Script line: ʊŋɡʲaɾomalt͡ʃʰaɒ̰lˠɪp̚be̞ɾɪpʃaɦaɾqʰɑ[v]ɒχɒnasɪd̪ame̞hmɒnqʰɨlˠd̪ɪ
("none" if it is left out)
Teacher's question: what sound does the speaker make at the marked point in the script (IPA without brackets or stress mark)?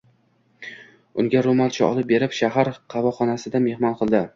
v